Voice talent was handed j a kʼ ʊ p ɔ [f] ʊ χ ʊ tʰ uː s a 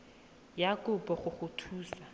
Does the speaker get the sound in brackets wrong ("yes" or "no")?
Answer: yes